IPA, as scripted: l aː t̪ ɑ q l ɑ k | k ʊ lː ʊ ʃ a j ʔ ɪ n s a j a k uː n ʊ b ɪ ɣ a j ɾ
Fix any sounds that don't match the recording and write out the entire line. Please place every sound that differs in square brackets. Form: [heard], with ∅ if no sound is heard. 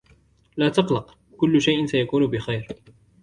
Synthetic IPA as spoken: l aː t̪ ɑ q l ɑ [q] | k ʊ lː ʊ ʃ a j ʔ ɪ n s a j a k uː n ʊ b ɪ [x] a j ɾ